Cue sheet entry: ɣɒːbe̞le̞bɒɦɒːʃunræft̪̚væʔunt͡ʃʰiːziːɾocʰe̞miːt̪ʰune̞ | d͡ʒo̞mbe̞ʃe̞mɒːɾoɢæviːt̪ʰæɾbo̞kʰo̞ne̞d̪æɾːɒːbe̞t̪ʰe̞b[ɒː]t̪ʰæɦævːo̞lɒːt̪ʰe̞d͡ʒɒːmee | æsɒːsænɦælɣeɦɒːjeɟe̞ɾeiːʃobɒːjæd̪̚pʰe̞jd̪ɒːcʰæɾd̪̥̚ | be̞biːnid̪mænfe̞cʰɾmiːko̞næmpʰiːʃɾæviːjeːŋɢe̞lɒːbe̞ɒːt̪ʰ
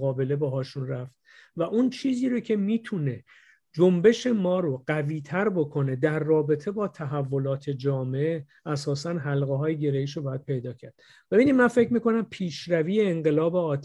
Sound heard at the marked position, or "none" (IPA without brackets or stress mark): ɒː